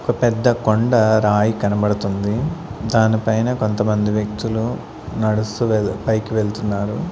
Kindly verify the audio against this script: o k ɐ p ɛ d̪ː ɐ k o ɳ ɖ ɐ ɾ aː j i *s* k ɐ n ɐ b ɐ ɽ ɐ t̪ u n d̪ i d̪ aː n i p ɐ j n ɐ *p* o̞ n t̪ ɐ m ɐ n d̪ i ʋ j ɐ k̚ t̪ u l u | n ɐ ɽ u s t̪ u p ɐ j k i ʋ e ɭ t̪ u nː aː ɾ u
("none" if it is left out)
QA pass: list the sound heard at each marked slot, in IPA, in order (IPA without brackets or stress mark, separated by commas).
none, k